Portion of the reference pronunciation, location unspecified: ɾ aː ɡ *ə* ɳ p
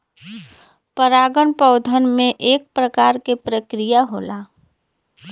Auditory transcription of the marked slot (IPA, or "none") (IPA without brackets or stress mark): ə